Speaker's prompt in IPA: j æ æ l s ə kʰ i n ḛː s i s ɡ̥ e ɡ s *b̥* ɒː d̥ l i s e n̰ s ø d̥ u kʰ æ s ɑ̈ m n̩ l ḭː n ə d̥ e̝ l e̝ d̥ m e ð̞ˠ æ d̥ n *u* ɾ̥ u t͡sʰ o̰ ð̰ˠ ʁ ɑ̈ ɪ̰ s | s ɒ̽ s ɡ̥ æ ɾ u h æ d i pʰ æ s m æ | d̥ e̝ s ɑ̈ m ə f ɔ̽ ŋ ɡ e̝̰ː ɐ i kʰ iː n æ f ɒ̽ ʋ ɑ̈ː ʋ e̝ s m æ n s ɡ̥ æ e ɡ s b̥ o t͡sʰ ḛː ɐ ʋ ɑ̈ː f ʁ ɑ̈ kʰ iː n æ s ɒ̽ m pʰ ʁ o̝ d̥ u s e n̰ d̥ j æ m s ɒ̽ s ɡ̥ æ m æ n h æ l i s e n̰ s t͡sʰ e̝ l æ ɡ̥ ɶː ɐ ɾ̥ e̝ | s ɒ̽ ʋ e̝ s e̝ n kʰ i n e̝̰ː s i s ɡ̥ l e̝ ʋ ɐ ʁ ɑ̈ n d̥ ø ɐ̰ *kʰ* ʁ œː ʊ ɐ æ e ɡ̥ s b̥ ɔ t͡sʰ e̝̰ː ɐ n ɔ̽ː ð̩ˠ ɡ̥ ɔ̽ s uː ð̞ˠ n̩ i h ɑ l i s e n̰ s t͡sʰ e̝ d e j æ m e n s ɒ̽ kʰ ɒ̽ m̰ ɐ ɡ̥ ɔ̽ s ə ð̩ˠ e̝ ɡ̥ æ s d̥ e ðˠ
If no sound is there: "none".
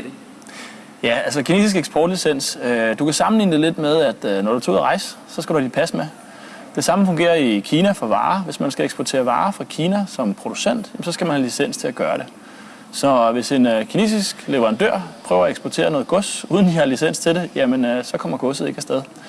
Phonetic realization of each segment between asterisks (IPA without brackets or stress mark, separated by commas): b̥, ɒ, pʰ